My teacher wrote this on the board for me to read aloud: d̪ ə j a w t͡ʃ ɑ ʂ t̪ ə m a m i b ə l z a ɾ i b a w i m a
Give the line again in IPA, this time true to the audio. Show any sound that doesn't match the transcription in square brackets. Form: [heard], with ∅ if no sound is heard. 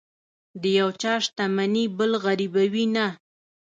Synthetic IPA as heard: d̪ ə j a w t͡ʃ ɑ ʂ t̪ [a] m a [n] i b ə l [ɣ] a ɾ i b a w i [n] a